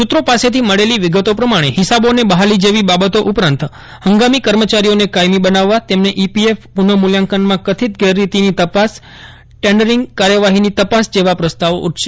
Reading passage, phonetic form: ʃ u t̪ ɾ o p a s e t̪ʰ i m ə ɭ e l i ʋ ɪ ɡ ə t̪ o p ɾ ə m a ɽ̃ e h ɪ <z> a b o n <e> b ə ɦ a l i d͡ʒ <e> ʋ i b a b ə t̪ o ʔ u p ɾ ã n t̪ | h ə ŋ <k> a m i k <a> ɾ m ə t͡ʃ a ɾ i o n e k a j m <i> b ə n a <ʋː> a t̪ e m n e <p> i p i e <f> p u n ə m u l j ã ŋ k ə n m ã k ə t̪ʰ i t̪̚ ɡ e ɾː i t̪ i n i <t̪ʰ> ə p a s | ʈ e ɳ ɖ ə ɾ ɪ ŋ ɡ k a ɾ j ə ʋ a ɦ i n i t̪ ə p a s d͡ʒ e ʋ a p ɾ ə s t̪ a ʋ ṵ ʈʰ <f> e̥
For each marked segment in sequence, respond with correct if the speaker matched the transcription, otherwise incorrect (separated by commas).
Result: incorrect, correct, correct, incorrect, incorrect, correct, correct, incorrect, correct, incorrect, incorrect